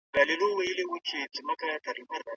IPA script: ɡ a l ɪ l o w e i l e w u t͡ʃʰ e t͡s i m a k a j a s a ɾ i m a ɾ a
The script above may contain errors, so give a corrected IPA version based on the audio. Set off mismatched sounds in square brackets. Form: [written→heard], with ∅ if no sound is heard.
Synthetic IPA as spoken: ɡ a l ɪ l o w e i l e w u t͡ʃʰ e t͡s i m a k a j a [s→t] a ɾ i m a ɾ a